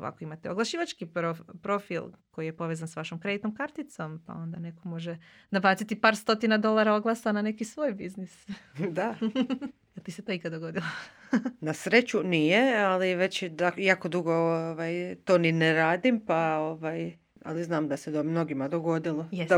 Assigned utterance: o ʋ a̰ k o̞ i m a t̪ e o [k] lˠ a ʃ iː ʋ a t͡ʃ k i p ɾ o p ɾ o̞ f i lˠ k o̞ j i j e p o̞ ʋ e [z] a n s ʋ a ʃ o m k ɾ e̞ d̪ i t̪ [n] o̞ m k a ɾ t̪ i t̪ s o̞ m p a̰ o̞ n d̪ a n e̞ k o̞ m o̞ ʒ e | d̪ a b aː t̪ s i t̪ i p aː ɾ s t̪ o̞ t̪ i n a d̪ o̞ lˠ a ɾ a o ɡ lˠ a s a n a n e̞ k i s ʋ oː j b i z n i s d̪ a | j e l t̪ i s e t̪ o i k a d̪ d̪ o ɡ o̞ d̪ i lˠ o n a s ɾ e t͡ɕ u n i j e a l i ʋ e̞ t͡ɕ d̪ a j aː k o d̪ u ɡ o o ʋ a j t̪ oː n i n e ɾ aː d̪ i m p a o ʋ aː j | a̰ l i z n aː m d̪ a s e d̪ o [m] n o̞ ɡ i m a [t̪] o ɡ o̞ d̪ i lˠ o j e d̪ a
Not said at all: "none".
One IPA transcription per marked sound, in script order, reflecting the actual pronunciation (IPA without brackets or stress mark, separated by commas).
ɡ, z, n, m, d̪